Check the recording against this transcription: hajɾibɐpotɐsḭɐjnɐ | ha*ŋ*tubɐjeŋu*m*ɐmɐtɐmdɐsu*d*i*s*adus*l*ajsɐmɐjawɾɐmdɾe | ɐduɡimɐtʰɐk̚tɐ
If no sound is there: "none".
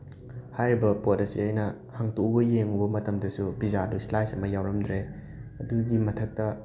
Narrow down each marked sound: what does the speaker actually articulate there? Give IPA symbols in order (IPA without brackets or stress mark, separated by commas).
ŋ, b, b, z, l